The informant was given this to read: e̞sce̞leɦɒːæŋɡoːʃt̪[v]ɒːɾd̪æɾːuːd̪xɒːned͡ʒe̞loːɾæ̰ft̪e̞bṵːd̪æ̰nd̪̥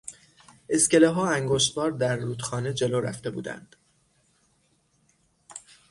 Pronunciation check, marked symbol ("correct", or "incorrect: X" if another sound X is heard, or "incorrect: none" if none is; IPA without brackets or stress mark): incorrect: b